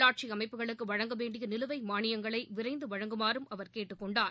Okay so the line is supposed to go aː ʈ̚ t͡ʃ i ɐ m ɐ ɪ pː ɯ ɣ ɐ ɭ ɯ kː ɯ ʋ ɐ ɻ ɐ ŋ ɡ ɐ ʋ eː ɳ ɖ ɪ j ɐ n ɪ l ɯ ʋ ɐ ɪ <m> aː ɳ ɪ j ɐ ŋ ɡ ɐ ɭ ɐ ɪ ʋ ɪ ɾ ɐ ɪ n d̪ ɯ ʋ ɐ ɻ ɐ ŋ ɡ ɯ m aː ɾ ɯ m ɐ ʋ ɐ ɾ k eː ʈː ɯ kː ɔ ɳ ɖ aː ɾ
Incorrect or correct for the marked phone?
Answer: correct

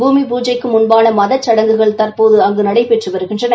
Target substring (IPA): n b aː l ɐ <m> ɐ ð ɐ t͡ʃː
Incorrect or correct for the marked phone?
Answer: correct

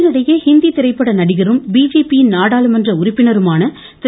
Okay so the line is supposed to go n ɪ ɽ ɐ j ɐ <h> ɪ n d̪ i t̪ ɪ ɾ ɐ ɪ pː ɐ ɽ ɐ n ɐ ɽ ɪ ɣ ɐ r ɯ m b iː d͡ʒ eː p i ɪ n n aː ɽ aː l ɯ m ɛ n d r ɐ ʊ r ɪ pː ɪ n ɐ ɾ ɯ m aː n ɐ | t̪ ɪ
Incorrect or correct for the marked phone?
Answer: correct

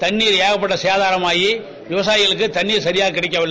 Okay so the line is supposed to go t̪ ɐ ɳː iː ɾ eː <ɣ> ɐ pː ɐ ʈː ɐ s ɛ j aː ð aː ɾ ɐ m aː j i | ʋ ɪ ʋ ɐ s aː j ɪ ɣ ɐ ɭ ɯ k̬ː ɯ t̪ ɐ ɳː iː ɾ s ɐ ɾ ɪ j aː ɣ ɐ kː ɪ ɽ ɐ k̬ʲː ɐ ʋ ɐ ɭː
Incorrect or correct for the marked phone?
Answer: correct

